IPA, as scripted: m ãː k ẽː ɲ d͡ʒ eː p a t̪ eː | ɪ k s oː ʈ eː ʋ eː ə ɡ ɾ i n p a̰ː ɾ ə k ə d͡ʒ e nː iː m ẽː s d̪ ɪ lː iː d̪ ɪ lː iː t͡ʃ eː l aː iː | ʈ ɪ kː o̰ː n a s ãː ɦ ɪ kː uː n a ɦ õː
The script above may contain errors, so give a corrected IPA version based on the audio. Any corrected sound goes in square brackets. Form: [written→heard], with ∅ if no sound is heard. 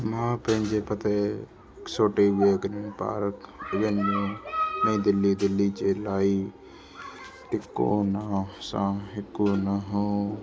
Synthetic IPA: m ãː [k→p] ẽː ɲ d͡ʒ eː p [a→ə] t̪ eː | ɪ k s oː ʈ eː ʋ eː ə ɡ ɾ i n p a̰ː ɾ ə k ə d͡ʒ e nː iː m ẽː [s→∅] d̪ ɪ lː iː d̪ ɪ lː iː t͡ʃ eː l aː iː | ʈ ɪ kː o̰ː n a s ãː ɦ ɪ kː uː n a ɦ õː